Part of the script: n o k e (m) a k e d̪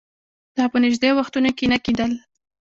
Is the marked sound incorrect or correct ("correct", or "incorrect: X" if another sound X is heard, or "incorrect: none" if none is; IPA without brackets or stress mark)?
incorrect: n